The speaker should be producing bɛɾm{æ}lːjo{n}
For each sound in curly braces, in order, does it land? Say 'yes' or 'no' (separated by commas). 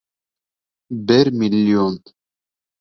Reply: no, yes